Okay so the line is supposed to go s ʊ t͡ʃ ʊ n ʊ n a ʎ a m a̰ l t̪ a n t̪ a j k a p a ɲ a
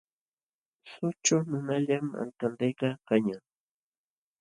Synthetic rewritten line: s ʊ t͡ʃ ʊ n ʊ n a ʎ a m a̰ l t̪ a n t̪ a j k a k a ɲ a